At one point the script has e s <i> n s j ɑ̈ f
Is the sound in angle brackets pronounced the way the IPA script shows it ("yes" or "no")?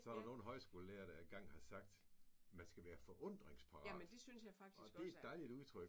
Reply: no